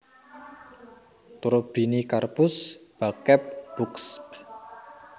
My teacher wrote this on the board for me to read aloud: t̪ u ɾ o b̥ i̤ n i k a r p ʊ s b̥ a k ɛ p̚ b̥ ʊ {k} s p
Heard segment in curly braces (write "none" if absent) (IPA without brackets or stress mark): k